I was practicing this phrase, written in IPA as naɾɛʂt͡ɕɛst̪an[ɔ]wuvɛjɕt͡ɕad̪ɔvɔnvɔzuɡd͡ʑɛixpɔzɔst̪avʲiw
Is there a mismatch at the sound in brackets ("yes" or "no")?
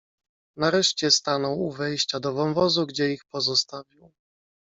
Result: no